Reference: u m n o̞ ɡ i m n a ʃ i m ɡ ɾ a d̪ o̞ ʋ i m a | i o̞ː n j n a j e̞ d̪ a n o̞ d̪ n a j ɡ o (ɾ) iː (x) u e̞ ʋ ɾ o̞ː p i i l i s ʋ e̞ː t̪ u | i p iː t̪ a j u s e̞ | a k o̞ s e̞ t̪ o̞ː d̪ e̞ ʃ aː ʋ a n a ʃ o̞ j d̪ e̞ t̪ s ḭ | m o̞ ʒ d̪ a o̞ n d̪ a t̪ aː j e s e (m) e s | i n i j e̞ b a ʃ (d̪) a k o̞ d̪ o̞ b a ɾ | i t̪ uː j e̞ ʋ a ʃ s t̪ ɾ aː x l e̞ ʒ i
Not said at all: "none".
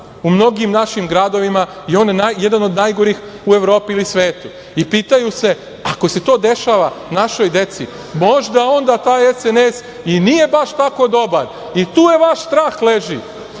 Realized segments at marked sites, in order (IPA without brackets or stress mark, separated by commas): ɾ, x, n, t̪